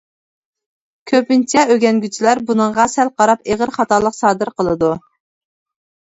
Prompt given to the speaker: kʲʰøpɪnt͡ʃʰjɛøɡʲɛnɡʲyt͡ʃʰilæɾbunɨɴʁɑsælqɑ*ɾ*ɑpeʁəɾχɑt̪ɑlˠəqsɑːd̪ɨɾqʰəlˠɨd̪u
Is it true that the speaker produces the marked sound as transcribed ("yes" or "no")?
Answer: yes